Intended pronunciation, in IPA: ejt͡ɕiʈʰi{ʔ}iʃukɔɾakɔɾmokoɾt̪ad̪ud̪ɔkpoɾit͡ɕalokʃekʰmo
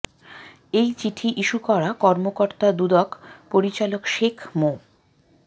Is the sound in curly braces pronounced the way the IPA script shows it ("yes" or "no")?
yes